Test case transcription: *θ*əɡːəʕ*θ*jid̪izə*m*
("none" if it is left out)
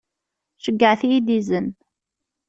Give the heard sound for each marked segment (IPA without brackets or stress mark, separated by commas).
ʃ, θ, n